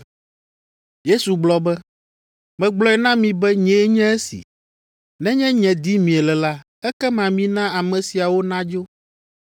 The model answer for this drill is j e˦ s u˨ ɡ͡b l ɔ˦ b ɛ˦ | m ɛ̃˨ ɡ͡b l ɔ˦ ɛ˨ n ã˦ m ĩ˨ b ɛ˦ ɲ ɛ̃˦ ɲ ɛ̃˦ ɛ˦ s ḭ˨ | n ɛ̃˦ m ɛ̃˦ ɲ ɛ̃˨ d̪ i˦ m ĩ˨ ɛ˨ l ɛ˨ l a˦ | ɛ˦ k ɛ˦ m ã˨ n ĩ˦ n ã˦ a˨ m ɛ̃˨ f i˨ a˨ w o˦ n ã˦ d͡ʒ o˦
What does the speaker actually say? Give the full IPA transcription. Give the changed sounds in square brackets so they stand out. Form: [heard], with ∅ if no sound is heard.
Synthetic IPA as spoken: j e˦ s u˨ ɡ͡b l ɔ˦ b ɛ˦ | m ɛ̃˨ ɡ͡b l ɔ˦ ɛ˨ n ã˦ m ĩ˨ b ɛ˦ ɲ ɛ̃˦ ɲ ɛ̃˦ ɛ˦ s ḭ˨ | n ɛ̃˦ [ɲ] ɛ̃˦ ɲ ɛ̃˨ d̪ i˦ m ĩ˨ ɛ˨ l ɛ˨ l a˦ | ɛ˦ k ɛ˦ m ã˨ [m] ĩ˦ n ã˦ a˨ m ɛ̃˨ [s] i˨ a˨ w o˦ n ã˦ d͡ʒ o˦